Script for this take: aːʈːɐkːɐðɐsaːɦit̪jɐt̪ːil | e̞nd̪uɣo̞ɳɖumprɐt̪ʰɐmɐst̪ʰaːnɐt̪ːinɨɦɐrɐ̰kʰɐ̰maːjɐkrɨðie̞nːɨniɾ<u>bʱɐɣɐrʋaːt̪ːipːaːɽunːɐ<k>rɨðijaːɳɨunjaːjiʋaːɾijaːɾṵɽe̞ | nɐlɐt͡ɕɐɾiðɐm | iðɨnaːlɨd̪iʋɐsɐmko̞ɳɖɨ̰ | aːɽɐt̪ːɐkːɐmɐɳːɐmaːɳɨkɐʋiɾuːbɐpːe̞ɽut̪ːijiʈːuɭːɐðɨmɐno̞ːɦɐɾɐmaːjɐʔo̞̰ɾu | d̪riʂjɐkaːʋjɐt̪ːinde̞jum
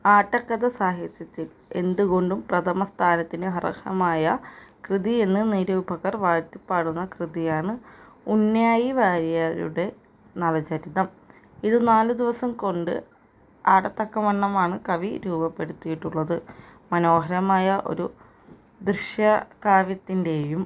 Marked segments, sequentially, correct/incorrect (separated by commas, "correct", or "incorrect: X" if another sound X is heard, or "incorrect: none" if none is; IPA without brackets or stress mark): incorrect: uː, correct